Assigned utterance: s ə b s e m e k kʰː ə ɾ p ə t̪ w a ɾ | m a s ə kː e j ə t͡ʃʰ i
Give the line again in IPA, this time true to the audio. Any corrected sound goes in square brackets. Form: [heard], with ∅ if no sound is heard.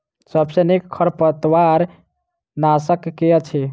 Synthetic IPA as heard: s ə b s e [n] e k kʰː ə ɾ p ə t̪ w a ɾ | [n] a s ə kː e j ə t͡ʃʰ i